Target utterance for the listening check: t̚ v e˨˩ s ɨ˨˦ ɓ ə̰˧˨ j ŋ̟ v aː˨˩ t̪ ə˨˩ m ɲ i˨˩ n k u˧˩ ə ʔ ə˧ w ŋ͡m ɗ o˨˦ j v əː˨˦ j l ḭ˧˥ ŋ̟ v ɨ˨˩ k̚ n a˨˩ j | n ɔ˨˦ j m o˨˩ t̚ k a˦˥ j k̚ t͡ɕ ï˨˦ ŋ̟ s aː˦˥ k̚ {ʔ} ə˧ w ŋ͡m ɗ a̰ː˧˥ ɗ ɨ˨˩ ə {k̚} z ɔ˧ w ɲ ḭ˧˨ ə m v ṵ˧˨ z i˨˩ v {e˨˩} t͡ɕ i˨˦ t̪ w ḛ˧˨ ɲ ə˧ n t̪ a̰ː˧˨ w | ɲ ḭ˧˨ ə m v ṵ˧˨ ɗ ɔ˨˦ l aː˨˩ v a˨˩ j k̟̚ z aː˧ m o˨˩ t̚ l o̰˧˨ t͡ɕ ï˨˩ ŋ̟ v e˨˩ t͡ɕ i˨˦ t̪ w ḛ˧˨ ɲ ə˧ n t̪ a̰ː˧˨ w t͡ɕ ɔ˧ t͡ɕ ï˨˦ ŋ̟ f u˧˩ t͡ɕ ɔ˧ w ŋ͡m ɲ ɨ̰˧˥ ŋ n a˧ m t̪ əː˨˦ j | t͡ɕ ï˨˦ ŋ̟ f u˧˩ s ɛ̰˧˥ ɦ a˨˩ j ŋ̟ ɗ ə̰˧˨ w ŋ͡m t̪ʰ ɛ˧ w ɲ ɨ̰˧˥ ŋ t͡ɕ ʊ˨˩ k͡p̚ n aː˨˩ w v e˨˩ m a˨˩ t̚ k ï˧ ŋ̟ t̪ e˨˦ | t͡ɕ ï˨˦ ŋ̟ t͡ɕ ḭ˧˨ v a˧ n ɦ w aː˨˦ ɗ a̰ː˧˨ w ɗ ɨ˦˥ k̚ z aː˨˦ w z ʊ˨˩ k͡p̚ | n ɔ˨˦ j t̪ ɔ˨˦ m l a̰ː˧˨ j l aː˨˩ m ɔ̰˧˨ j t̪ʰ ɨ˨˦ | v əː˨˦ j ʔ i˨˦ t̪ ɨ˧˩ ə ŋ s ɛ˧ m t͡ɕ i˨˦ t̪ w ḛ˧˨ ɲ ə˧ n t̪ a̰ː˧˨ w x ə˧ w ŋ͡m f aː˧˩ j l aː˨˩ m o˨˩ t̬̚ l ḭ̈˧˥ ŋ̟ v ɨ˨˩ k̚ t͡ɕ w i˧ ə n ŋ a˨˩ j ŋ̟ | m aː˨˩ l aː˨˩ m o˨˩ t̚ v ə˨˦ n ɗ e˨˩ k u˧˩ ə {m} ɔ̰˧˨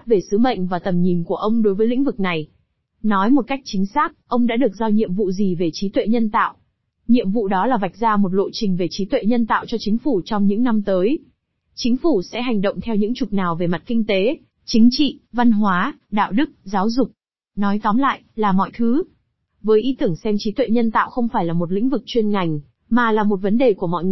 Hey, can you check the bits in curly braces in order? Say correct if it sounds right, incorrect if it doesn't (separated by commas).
correct, correct, correct, correct